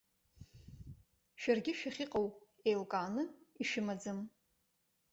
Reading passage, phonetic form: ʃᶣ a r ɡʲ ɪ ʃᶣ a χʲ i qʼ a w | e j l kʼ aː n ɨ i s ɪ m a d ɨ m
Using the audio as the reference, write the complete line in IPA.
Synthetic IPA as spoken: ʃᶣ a r ɡʲ ɪ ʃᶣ a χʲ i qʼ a w | e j l kʼ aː n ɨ i ʃ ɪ m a d͡z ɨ m